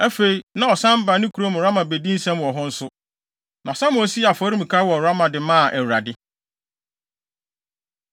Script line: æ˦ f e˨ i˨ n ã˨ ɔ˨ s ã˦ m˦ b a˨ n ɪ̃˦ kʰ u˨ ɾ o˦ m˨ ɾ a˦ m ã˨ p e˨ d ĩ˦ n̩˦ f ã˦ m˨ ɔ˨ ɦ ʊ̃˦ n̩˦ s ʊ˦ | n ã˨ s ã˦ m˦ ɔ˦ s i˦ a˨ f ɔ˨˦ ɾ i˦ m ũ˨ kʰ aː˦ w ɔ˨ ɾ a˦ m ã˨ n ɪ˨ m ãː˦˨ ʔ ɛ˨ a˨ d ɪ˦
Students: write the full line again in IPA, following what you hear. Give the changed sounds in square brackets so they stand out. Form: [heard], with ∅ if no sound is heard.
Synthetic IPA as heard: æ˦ f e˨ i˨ n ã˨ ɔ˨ s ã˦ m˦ b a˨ n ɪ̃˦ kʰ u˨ ɾ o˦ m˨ ɾ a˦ m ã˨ [b] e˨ d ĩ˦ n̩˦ [s] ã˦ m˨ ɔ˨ ɦ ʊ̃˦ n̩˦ s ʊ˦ | n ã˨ s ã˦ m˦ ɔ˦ s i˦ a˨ f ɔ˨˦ ɾ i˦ m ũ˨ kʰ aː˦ w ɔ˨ ɾ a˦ m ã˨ [d] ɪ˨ m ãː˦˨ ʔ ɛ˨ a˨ d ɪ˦